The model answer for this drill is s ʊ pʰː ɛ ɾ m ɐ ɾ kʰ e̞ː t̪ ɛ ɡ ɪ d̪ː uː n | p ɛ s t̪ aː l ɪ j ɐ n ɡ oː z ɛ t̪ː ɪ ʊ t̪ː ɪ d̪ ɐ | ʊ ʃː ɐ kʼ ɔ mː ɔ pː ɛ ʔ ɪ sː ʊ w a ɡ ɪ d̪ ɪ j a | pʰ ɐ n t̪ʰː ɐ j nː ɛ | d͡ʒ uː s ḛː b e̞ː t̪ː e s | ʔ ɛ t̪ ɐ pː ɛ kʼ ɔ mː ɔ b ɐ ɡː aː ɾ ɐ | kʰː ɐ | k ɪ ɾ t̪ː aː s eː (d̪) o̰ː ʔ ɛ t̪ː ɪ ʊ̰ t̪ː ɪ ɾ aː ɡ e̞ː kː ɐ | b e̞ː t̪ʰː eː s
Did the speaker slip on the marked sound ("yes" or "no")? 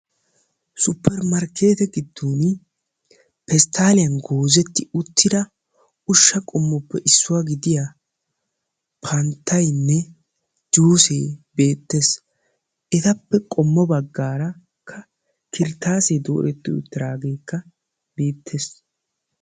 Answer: no